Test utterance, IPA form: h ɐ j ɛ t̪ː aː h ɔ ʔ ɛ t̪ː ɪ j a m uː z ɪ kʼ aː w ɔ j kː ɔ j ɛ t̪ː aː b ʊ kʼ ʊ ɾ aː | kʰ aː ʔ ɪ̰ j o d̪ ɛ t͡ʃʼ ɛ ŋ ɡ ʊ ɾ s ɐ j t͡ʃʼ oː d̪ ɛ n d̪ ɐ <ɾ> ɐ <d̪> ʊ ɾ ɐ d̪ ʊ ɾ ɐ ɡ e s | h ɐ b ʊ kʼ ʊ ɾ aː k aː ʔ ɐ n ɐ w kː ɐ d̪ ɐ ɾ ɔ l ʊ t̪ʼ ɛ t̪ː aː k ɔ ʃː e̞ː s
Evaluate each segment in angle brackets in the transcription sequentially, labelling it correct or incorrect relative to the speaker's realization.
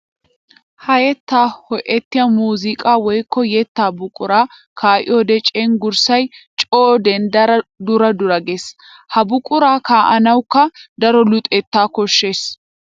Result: correct, correct

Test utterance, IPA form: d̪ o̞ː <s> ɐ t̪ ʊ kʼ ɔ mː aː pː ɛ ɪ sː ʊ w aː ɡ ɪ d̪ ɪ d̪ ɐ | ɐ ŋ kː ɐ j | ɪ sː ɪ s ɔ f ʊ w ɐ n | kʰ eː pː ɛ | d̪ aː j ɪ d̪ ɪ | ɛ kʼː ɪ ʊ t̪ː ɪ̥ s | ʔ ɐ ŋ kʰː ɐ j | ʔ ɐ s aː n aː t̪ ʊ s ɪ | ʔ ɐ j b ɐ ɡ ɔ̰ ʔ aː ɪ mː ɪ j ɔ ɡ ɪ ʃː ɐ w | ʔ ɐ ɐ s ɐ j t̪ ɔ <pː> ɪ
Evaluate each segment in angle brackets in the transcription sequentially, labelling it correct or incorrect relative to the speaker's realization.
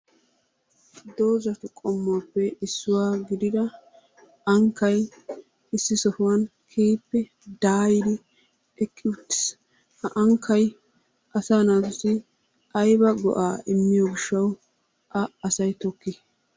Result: incorrect: z, incorrect: kː

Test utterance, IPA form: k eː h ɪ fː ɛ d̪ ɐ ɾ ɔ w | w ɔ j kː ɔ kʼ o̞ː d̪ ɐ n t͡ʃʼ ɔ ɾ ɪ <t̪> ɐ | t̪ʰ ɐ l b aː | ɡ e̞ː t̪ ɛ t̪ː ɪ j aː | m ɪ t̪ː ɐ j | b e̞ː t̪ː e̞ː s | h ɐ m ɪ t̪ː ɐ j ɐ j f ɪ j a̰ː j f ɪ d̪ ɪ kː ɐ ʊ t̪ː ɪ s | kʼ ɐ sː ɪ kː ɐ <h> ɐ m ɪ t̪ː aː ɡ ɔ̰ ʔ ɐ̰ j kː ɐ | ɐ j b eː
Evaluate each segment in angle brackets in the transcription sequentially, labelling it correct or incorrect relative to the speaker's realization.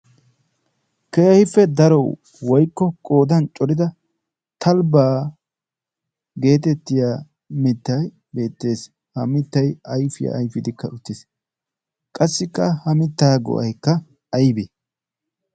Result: incorrect: d̪, correct

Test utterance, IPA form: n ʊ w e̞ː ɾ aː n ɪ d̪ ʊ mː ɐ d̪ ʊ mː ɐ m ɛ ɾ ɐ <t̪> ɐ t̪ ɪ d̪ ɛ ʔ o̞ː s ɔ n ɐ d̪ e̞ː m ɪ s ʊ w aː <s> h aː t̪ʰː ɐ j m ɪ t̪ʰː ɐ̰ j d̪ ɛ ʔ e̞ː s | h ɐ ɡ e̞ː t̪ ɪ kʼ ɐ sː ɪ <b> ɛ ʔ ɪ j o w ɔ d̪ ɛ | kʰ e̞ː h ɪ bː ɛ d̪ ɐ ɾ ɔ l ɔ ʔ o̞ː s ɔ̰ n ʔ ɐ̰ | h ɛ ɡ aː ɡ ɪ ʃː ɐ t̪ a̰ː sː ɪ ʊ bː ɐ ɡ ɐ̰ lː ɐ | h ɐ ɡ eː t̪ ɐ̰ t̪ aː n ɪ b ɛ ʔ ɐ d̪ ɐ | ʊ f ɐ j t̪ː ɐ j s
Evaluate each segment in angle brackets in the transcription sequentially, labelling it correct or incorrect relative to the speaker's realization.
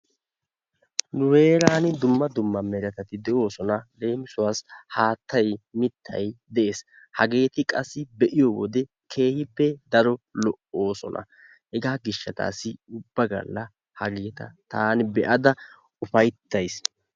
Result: correct, correct, correct

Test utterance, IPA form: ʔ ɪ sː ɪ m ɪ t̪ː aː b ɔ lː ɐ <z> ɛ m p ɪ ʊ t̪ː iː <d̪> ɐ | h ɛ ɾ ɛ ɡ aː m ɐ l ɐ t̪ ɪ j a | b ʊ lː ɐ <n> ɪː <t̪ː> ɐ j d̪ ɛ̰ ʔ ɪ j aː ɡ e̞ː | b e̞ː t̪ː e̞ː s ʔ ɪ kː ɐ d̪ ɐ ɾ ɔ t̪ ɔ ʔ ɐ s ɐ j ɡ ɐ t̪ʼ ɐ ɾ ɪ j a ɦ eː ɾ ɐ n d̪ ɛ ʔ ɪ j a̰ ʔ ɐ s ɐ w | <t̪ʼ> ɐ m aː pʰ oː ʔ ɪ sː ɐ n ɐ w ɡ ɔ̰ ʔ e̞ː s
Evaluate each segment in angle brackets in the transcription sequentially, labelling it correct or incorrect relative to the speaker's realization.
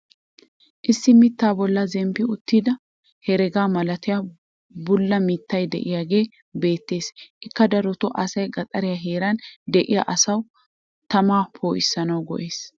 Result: correct, correct, incorrect: m, correct, incorrect: t̪

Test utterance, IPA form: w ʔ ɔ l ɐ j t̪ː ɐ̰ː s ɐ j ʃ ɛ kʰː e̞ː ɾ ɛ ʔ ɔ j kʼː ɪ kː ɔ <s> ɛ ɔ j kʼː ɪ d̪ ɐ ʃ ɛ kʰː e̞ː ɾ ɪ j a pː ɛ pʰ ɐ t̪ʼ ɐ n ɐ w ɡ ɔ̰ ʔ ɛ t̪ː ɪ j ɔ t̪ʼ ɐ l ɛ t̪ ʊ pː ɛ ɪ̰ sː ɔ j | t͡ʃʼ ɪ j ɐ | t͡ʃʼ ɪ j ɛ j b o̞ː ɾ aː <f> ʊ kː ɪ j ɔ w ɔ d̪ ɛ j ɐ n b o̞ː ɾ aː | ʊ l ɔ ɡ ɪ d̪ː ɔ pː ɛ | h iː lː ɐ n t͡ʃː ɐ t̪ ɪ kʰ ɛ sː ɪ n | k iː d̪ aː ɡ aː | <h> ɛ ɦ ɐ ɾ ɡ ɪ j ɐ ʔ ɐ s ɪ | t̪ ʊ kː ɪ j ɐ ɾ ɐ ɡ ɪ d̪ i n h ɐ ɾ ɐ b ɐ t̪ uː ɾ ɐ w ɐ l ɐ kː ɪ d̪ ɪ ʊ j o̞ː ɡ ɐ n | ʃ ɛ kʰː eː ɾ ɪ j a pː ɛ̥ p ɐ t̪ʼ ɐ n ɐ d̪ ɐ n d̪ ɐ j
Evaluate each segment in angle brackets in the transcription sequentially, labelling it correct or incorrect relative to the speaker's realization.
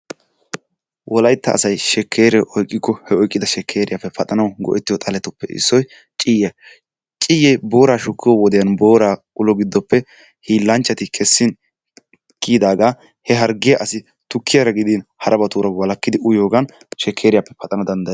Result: incorrect: h, incorrect: ʃ, correct

